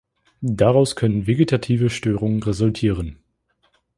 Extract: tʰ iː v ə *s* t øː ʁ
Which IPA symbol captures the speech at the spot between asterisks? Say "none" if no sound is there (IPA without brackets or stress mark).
ʃ